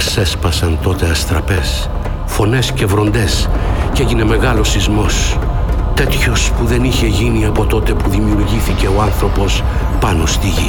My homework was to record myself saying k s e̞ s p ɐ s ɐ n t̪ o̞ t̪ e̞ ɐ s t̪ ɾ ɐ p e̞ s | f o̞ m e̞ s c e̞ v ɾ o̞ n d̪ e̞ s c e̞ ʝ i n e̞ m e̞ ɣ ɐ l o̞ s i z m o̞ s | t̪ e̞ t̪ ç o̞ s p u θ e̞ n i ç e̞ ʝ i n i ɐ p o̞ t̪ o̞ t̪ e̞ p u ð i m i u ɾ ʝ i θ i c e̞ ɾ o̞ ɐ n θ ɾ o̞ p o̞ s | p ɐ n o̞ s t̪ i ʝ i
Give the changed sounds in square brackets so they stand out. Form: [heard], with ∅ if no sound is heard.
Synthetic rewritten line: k s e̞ s p ɐ s ɐ n t̪ o̞ t̪ e̞ ɐ s t̪ ɾ ɐ p e̞ s | f o̞ [n] e̞ s c e̞ v ɾ o̞ n d̪ e̞ s c e̞ ʝ i n e̞ m e̞ ɣ ɐ l o̞ s i z m o̞ s | t̪ e̞ t̪ ç o̞ s p u [ð] e̞ n i ç e̞ ʝ i n i ɐ p o̞ t̪ o̞ t̪ e̞ p u ð i m i u ɾ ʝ i θ i c e̞ [∅] o̞ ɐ n θ ɾ o̞ p o̞ s | p ɐ n o̞ s t̪ i ʝ i